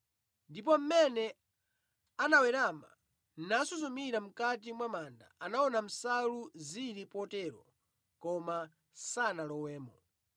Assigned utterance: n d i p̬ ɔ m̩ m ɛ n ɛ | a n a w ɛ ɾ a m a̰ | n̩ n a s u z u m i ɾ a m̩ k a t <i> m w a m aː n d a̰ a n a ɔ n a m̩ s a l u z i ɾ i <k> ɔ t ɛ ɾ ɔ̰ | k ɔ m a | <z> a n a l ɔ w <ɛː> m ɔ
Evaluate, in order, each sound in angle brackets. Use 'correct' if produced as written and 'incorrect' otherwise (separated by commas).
correct, incorrect, incorrect, correct